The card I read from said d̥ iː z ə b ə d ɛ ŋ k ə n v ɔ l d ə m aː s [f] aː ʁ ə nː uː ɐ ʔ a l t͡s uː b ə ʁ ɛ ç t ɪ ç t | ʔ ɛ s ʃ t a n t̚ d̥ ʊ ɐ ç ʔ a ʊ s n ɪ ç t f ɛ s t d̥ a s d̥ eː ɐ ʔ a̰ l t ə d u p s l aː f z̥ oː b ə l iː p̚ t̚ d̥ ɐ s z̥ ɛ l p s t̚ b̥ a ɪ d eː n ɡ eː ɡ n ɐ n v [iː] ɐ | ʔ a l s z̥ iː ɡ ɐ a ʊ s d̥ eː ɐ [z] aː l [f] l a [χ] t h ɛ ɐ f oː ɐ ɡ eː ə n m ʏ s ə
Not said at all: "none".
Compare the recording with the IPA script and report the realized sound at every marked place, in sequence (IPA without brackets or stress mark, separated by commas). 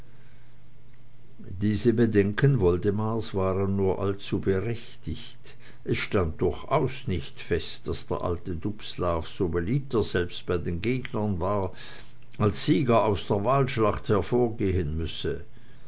v, aː, v, ʃ, χ